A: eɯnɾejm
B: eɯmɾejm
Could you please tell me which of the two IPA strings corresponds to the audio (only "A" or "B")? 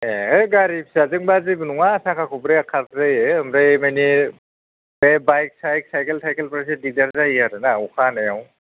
B